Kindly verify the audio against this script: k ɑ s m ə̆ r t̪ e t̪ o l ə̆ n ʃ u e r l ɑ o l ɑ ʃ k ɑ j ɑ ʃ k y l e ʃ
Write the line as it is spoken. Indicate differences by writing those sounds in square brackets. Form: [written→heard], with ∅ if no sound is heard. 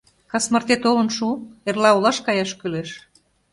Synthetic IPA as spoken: k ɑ s m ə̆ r t̪ e t̪ o l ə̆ n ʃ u e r l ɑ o l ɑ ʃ k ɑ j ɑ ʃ k y l e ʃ